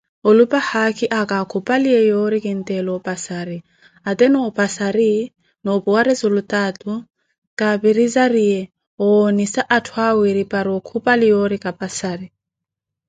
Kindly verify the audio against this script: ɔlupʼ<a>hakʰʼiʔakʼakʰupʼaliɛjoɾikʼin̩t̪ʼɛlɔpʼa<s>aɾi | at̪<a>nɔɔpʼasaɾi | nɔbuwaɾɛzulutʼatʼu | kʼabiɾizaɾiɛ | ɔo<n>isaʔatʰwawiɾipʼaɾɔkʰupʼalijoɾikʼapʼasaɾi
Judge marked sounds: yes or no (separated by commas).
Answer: yes, yes, no, yes